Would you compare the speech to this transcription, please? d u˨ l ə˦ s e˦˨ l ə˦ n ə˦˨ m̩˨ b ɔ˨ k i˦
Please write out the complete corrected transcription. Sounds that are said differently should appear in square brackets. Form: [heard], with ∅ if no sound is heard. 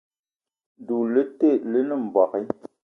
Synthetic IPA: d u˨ l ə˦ [t] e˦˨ l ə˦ n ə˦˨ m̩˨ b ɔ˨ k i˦